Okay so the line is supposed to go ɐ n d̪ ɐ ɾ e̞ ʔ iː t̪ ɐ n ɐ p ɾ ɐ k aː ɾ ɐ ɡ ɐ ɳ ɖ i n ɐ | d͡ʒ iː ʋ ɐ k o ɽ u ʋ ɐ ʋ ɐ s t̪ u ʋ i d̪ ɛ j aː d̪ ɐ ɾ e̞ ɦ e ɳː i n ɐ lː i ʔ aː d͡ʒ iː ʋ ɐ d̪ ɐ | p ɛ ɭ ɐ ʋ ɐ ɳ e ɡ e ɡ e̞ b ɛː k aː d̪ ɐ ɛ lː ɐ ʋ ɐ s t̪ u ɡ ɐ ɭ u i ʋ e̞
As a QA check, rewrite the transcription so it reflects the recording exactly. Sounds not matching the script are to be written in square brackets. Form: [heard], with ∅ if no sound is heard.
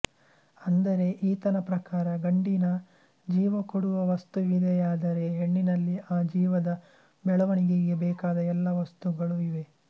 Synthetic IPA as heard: ɐ n d̪ ɐ ɾ e̞ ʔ iː t̪ ɐ n ɐ p ɾ ɐ k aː ɾ ɐ ɡ ɐ ɳ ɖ i n ɐ | d͡ʒ iː ʋ ɐ k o ɽ u ʋ ɐ ʋ ɐ s t̪ u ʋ i d̪ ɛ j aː d̪ ɐ ɾ e̞ ɦ e ɳː i n ɐ lː i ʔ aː d͡ʒ iː ʋ ɐ d̪ ɐ | [b] ɛ ɭ ɐ ʋ ɐ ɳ [i] ɡ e ɡ e̞ b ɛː k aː d̪ ɐ ɛ lː ɐ ʋ ɐ s t̪ u ɡ ɐ ɭ u i ʋ e̞

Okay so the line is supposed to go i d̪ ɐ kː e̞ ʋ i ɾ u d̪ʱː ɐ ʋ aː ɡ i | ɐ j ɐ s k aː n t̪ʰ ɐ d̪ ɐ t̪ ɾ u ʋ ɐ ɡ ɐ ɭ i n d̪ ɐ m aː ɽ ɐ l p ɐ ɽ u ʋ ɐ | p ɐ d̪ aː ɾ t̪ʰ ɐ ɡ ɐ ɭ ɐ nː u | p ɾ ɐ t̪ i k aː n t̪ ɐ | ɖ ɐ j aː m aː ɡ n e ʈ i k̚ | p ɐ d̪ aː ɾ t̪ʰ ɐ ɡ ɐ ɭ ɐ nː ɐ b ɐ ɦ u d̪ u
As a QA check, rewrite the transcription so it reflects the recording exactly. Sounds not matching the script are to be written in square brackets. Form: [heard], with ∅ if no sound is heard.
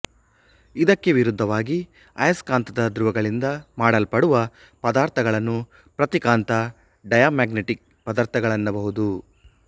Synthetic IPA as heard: i d̪ ɐ kː e̞ ʋ i ɾ u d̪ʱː ɐ ʋ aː ɡ i | ɐ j ɐ s k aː n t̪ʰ ɐ d̪ ɐ [d̪] ɾ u ʋ ɐ ɡ ɐ ɭ i n d̪ ɐ m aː ɽ ɐ l p ɐ ɽ u ʋ ɐ | p ɐ d̪ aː ɾ t̪ʰ ɐ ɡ ɐ ɭ ɐ nː u | p ɾ ɐ t̪ i k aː n t̪ ɐ | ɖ ɐ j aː m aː ɡ n e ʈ i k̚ | p ɐ d̪ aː ɾ t̪ʰ ɐ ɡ ɐ ɭ ɐ nː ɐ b ɐ ɦ u d̪ u

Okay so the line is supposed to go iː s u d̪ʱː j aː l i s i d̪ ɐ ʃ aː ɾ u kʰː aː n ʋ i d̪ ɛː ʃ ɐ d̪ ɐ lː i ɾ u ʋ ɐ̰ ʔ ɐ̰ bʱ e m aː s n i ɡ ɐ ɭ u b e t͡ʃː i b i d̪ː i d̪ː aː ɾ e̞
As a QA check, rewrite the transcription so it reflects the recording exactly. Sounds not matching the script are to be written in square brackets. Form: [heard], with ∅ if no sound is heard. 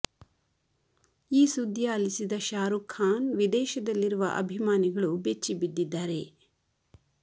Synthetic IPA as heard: iː s u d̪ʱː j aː l i s i d̪ ɐ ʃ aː ɾ u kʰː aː n ʋ i d̪ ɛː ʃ ɐ d̪ ɐ lː i ɾ u ʋ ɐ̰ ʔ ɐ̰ bʱ [i] m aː [∅] n i ɡ ɐ ɭ u b e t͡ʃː i b i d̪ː i d̪ː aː ɾ e̞

